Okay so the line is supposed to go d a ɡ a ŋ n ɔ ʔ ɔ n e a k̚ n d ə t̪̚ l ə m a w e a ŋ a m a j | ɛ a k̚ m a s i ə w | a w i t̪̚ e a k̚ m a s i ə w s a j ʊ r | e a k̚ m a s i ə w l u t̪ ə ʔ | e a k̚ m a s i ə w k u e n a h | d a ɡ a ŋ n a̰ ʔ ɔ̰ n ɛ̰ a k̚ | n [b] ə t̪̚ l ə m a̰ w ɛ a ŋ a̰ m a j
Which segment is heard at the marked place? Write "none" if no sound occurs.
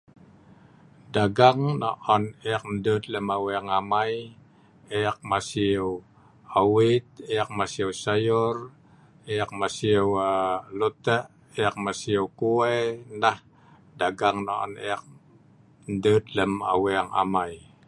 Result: d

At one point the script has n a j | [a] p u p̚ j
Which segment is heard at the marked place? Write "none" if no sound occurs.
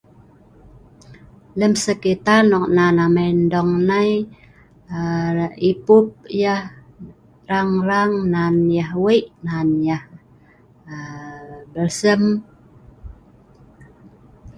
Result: i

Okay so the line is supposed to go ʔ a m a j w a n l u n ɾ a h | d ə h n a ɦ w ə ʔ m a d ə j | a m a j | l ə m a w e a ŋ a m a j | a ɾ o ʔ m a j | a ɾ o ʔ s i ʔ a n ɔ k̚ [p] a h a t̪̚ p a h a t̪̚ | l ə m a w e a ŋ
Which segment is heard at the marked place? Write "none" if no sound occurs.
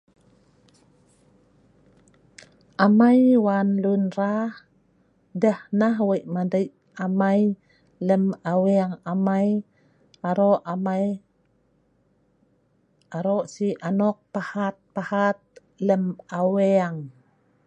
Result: p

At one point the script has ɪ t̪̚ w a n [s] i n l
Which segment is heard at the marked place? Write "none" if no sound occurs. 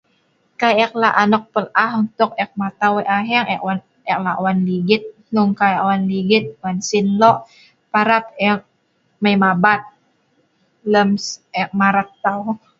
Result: s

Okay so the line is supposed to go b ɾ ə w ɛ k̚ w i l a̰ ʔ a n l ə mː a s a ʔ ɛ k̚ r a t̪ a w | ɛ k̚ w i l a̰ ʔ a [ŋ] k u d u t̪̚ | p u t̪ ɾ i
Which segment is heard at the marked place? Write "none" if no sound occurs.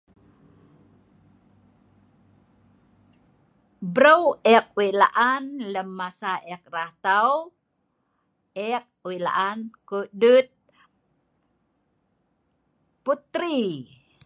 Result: n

